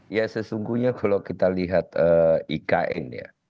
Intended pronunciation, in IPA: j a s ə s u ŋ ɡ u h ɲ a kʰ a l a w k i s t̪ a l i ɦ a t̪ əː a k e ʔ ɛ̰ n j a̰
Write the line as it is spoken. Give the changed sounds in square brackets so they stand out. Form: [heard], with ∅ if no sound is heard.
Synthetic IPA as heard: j a s ə s u ŋ ɡ u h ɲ a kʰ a l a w k i [∅] t̪ a l i ɦ a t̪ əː [i] k [a] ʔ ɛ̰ n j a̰